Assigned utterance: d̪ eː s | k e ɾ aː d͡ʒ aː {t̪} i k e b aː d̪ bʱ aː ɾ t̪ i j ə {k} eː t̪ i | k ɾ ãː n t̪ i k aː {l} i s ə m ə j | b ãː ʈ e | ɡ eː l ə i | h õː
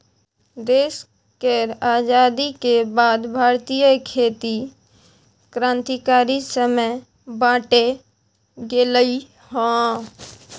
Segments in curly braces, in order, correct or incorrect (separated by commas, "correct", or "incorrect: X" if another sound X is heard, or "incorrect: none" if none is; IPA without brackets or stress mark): incorrect: d̪, incorrect: kʰ, incorrect: ɾ